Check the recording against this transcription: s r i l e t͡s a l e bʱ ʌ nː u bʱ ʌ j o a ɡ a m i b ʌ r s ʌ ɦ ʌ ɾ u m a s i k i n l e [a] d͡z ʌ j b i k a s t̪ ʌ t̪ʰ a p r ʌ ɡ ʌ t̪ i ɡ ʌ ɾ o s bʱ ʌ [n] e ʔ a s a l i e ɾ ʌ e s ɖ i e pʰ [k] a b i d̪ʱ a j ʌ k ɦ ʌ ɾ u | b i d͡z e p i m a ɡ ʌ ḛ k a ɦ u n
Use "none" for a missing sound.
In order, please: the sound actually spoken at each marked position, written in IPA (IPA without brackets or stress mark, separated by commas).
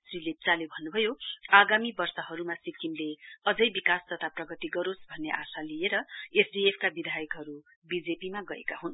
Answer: ʌ, nː, k